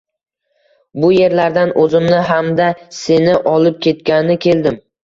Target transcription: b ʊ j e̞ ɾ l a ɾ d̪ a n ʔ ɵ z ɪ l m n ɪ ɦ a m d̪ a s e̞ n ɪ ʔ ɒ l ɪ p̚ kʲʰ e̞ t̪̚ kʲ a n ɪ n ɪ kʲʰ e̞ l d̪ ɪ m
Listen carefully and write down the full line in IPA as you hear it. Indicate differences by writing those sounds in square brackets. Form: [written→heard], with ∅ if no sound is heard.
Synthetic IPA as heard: b ʊ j e̞ ɾ l a ɾ d̪ a n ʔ ɵ z ɪ [l→∅] m n ɪ ɦ a m d̪ a s e̞ n ɪ ʔ ɒ l ɪ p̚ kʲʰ e̞ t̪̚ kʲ a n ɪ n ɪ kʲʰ e̞ l d̪ ɪ m